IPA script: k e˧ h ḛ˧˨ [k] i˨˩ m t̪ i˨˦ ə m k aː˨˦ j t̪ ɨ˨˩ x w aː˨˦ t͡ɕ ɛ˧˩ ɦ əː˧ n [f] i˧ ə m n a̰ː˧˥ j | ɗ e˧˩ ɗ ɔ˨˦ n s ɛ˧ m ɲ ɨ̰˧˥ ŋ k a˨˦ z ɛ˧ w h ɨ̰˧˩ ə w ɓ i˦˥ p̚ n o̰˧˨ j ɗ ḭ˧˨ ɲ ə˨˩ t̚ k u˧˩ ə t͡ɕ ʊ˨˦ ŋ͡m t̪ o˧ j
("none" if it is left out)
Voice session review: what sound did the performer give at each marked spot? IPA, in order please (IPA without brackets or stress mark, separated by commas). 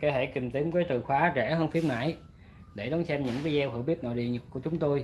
k, f